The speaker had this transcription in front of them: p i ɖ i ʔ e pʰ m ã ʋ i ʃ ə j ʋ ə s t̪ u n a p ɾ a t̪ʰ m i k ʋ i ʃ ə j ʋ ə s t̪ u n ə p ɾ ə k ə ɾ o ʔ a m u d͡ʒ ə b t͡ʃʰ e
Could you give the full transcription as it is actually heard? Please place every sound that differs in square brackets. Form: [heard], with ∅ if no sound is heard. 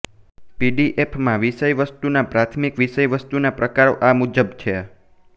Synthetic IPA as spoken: p i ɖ i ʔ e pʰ m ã ʋ i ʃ ə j ʋ ə s t̪ u n a p ɾ a t̪ʰ m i k ʋ i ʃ ə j ʋ ə s t̪ u n [a] p ɾ ə k [a] ɾ o ʔ a m u d͡ʒ ə b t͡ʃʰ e